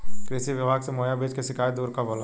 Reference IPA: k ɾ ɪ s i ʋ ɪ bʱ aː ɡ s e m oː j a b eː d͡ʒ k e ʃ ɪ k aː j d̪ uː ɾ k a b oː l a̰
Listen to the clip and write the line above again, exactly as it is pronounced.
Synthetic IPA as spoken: k ɾ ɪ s i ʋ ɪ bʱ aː ɡ s e m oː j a b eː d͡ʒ k e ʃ ɪ k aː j d̪ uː ɾ k a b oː l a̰